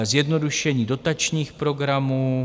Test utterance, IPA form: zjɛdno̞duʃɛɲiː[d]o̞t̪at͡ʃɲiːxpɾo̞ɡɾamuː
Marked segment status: correct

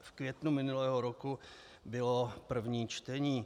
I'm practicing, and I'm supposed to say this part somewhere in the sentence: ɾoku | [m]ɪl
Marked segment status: incorrect: b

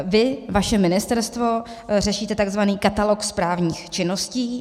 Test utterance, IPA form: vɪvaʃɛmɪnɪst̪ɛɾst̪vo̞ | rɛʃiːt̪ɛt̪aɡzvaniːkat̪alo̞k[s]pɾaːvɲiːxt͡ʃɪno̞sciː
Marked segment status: correct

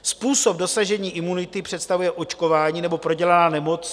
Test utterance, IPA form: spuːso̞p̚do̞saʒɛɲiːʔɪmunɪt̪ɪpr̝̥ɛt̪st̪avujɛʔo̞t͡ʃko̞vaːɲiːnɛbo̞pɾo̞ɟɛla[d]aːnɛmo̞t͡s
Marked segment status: incorrect: n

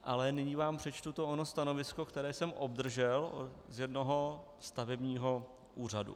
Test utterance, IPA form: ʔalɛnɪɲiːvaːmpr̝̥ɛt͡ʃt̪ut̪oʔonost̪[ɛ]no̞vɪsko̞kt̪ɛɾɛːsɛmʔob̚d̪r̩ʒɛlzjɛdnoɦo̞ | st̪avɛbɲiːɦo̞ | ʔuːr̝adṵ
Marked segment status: incorrect: a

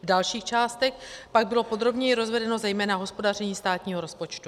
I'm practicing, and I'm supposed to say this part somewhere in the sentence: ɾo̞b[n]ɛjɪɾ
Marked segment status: incorrect: ɲ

